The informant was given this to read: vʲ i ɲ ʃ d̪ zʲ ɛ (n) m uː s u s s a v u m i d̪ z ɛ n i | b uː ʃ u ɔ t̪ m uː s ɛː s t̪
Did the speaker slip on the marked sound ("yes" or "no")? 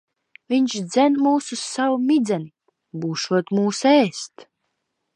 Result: no